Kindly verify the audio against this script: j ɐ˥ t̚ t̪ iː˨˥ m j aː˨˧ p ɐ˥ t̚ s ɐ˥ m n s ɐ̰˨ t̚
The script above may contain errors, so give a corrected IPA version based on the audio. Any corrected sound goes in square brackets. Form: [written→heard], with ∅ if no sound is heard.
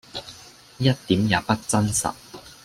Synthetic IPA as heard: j ɐ˥ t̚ t̪ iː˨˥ m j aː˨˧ p ɐ˥ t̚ [s→t͡s] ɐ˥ [m→∅] n s ɐ̰˨ t̚